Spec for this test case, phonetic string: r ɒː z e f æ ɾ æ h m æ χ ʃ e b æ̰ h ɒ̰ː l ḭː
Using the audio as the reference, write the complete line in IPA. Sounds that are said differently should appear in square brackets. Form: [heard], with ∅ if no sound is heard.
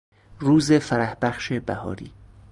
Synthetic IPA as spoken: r [uː] z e f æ ɾ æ h [b] æ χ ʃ e b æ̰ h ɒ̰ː [ɾ] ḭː

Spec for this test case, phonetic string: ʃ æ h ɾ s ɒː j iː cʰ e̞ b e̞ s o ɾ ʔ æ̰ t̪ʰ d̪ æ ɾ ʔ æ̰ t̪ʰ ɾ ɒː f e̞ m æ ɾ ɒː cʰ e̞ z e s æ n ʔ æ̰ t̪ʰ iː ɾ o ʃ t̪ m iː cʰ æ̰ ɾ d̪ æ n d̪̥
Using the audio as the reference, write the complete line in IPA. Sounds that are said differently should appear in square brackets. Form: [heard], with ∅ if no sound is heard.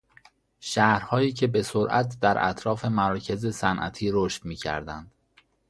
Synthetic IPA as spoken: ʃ æ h ɾ [h] ɒː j iː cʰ e̞ b e̞ s o ɾ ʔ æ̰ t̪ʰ d̪ æ ɾ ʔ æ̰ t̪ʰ ɾ ɒː f e̞ m æ ɾ ɒː cʰ e̞ z e s æ n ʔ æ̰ t̪ʰ iː ɾ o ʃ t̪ m iː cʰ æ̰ ɾ d̪ æ n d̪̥

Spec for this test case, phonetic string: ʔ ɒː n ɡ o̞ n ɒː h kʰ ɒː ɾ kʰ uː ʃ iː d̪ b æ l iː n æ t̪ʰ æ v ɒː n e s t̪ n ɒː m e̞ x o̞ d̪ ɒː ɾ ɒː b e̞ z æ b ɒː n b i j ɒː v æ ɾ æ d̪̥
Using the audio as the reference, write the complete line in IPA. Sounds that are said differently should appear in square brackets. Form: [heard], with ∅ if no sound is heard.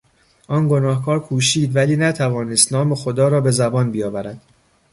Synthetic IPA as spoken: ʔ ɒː n ɡ o̞ n ɒː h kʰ ɒː ɾ kʰ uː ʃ iː d̪ [v] æ l iː n æ t̪ʰ æ v ɒː n e s t̪ n ɒː m e̞ x o̞ d̪ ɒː ɾ ɒː b e̞ z æ b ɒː n b i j ɒː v æ ɾ æ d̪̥

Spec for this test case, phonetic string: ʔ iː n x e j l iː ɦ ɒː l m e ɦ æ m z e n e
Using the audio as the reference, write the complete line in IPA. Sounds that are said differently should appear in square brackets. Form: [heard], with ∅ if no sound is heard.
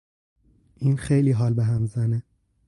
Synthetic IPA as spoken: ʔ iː n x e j l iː ɦ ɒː l [b] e ɦ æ m z [æ] n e

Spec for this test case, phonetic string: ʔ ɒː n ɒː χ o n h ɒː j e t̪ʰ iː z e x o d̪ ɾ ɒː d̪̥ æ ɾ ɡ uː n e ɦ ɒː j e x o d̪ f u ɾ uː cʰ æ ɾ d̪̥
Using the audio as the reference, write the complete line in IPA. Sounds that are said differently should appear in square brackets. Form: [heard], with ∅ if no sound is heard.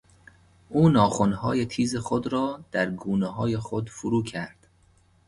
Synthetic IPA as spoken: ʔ [uː] n ɒː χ o n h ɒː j e t̪ʰ iː z e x o d̪ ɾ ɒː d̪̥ æ ɾ ɡ uː n e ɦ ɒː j e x o d̪ f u ɾ uː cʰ æ ɾ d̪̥

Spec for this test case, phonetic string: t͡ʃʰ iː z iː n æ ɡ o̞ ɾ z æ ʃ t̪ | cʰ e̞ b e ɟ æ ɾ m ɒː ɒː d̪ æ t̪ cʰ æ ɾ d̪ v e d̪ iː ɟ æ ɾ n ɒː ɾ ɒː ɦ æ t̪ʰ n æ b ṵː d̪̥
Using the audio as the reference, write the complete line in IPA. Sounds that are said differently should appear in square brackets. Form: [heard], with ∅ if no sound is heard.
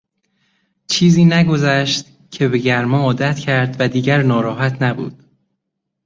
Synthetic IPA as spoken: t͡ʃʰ iː z iː n æ ɡ o̞ [∅] z æ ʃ t̪ | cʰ e̞ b e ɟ æ ɾ m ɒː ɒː d̪ æ t̪ cʰ æ ɾ d̪ v [æ] d̪ iː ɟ æ ɾ n ɒː ɾ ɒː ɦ æ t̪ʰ n æ b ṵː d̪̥

